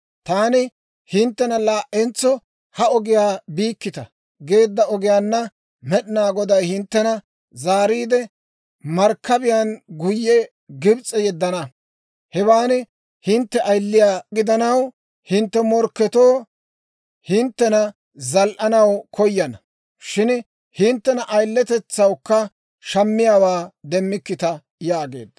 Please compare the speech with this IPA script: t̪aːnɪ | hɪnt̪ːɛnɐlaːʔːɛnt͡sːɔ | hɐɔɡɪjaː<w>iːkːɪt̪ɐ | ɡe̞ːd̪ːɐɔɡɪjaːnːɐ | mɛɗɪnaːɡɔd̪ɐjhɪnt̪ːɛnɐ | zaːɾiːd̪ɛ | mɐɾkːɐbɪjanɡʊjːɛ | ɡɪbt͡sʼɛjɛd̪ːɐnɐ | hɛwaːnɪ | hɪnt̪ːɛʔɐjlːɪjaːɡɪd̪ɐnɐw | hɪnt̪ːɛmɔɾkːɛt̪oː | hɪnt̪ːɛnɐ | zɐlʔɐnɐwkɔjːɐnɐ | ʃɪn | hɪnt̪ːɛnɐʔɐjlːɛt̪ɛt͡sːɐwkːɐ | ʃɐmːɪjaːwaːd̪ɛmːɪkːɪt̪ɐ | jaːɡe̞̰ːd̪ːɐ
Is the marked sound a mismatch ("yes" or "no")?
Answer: yes